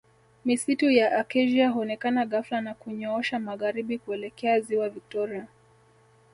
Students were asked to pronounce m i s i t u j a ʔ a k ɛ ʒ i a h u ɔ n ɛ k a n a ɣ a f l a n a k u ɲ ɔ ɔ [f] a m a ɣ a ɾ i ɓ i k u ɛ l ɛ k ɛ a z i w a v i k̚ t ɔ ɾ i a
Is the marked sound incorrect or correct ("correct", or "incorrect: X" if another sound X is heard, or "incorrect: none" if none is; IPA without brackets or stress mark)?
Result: incorrect: ʃ